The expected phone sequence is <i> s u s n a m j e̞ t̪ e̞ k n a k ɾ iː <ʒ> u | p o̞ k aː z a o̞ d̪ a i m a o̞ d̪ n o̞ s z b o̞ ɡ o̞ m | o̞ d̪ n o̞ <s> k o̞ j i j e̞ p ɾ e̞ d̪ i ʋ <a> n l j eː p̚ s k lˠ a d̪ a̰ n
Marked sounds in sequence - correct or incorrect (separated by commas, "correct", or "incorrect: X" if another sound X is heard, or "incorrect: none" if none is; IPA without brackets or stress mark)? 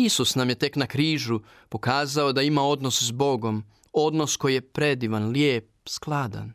correct, correct, correct, correct